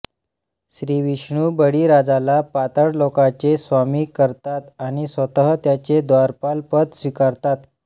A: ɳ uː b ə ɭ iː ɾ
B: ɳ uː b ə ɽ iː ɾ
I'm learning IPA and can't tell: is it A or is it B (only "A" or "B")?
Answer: B